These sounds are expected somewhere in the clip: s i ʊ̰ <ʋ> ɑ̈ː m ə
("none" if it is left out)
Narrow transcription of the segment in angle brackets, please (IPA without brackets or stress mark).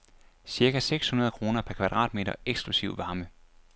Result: ʋ